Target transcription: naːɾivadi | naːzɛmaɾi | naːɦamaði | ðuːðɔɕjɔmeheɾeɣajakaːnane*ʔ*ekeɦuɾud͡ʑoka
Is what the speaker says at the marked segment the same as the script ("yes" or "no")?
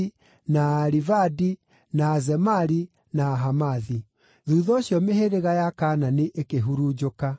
yes